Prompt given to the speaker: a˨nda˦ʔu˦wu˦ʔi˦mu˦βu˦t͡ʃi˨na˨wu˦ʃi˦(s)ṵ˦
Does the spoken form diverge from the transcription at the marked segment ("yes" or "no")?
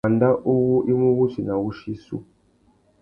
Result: no